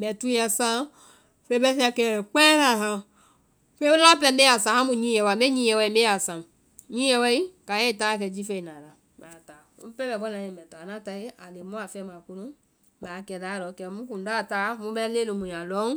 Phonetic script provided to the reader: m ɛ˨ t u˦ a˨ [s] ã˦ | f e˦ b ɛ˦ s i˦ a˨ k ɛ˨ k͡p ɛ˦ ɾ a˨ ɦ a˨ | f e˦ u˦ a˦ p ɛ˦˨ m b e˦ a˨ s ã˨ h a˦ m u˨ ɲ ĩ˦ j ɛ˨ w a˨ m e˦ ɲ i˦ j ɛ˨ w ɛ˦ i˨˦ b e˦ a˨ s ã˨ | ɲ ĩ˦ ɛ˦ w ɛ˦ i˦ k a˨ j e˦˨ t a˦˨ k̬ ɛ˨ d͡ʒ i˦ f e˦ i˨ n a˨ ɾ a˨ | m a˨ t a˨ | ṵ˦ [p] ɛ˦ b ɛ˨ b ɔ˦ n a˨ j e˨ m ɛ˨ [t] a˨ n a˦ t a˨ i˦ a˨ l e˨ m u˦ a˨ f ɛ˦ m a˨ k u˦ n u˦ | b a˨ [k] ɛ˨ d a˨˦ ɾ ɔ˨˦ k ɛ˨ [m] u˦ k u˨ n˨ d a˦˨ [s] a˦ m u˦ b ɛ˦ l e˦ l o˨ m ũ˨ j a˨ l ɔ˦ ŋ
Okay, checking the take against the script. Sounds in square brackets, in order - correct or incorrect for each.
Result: correct, correct, correct, correct, correct, incorrect

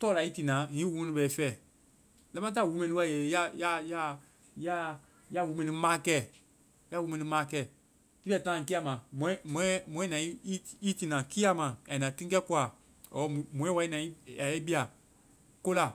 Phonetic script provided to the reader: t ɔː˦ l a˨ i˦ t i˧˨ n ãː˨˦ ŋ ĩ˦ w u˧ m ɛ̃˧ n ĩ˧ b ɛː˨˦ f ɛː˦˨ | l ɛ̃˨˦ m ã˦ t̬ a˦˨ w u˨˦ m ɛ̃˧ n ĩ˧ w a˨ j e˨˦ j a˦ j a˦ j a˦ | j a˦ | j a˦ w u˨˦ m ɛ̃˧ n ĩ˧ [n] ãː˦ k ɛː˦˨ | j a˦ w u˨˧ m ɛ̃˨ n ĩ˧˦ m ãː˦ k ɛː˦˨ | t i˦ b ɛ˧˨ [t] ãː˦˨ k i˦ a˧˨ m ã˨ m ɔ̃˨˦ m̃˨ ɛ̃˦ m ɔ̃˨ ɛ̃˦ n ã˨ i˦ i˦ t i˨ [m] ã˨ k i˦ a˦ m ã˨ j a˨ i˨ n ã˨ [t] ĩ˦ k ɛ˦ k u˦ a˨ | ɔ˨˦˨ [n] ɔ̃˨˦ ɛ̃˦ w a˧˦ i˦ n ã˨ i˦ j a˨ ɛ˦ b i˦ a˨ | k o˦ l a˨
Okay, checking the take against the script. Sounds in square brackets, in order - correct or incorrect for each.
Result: incorrect, correct, incorrect, correct, incorrect

